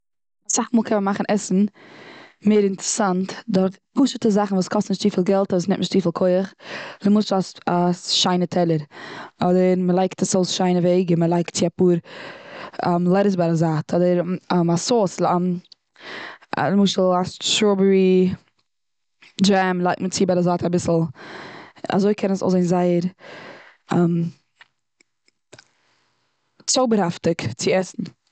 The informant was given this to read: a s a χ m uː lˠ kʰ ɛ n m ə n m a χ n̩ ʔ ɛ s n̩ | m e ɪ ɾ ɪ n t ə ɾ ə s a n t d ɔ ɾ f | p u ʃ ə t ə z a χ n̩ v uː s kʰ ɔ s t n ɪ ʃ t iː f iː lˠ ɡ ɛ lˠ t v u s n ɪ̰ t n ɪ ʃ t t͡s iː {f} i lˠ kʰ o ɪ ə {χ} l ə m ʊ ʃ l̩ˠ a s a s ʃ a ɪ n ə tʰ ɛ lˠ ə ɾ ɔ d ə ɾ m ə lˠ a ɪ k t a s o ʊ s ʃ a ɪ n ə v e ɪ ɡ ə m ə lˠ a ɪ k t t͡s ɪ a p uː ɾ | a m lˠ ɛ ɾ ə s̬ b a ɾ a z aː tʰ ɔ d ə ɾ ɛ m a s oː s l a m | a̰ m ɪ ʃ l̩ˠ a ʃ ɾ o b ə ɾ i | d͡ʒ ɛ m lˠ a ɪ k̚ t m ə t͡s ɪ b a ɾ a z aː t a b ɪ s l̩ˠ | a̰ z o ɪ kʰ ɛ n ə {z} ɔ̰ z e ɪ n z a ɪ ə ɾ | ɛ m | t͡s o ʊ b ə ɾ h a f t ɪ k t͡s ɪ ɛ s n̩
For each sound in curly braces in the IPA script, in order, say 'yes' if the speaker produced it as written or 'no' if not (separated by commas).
yes, yes, no